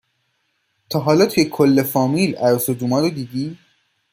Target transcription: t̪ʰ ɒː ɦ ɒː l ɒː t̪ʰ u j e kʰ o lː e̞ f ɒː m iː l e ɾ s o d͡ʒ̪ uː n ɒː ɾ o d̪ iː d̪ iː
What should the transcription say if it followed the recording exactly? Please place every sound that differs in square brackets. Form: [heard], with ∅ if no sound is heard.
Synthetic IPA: t̪ʰ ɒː ɦ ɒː l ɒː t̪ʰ u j e kʰ o lː e̞ f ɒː m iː l [æ] ɾ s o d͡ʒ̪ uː [m] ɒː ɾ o d̪ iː d̪ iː